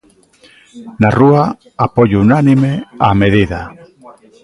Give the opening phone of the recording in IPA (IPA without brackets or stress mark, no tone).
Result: n